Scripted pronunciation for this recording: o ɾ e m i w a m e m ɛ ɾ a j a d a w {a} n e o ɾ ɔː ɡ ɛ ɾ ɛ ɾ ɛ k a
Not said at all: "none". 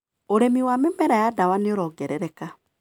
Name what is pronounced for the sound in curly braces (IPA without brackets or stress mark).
a